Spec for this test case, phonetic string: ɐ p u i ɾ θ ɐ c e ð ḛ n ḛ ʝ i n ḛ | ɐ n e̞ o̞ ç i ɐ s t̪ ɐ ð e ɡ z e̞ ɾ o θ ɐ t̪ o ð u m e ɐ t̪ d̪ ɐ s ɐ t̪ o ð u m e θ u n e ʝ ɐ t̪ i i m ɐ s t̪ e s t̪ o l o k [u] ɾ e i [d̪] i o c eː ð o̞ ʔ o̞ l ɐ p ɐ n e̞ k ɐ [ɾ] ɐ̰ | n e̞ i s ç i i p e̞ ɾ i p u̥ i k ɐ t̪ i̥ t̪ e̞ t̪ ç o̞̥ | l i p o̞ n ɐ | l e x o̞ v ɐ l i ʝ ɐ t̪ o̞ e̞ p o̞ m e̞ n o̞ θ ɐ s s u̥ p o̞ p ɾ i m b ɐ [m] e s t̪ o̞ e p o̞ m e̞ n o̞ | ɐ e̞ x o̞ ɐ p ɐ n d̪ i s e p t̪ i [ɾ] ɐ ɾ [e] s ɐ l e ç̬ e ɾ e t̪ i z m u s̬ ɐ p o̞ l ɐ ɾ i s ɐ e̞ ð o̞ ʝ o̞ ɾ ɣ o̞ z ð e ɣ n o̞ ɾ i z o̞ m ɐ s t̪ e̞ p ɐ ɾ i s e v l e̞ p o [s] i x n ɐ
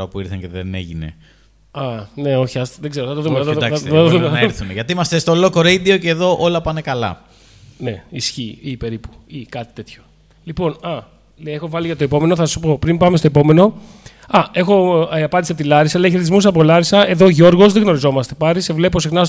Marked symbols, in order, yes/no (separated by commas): no, yes, no, yes, no, no, yes